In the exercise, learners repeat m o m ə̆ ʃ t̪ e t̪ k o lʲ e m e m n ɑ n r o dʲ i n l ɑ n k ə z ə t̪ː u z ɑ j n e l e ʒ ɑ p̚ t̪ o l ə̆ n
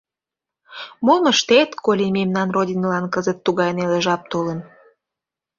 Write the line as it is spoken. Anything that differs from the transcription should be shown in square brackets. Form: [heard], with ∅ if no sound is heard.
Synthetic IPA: m o m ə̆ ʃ t̪ e t̪ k o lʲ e m e m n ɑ n r o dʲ i n l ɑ n k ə z ə t̪ː u [ɣ] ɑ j n e l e ʒ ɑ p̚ t̪ o l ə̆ n